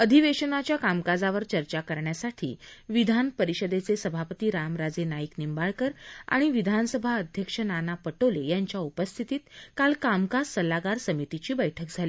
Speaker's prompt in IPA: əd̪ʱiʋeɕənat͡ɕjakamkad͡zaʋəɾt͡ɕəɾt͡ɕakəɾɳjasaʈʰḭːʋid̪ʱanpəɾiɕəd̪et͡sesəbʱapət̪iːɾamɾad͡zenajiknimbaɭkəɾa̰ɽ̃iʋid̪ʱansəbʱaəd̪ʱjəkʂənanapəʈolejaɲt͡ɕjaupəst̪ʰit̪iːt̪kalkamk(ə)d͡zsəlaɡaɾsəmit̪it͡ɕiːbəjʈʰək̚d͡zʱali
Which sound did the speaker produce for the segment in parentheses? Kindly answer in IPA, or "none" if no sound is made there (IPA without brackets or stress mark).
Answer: a